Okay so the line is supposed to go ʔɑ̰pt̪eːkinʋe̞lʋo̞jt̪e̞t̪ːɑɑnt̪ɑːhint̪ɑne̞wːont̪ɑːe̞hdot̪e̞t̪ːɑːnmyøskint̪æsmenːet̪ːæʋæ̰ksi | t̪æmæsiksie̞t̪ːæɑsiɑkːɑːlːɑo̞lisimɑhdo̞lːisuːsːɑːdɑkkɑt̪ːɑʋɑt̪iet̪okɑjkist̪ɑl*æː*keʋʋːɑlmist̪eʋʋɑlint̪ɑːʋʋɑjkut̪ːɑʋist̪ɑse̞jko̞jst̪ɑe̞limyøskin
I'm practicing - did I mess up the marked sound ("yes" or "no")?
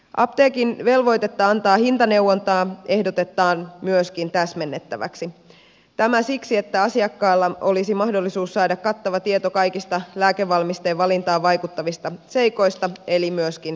no